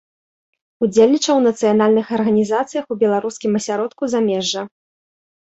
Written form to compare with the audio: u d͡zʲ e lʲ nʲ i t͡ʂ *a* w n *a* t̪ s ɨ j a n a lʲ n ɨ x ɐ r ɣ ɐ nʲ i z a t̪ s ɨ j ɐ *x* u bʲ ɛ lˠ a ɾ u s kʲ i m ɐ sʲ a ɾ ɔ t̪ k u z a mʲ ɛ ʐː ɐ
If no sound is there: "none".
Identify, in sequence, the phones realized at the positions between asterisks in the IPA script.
ɐ, ɐ, x

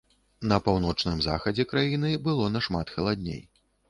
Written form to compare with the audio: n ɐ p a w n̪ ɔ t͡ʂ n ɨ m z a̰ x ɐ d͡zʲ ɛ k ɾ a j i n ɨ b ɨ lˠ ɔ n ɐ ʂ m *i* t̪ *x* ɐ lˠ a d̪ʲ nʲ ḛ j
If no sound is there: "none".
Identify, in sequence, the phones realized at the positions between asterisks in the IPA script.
a, x

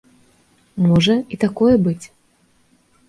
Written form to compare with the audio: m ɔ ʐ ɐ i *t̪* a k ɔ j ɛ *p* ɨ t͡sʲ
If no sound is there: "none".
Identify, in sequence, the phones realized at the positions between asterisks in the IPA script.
t̪, b

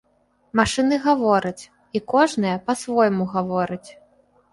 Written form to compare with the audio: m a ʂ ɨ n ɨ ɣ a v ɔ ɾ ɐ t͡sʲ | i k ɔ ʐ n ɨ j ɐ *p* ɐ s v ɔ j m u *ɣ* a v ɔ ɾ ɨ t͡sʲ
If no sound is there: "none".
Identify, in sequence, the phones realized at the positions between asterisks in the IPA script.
p, ɣ

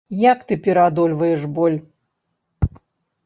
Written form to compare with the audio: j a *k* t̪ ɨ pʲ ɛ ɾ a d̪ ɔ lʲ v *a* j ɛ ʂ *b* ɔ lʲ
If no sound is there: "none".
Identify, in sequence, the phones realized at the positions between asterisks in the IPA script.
k, ɐ, b

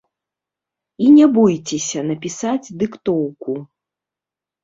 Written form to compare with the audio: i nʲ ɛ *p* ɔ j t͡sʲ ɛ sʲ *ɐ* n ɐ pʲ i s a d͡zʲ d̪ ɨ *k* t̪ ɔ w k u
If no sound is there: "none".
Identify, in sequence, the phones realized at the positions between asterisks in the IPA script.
b, ɐ, k

